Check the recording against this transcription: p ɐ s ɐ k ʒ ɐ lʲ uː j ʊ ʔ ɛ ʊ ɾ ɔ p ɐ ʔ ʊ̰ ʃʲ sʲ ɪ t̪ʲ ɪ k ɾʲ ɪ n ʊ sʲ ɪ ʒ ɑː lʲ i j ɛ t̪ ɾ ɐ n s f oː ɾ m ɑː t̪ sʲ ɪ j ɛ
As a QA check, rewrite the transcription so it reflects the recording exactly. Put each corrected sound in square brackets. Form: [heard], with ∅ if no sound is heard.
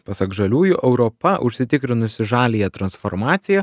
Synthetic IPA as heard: p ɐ s ɐ k ʒ ɐ lʲ uː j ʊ ʔ ɛ ʊ ɾ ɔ p ɐ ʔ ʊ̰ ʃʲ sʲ ɪ t̪ʲ ɪ k ɾʲ ɪ n ʊ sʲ ɪ ʒ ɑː lʲ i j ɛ t̪ ɾ ɐ n s f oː ɾ m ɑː t̪ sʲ ɪ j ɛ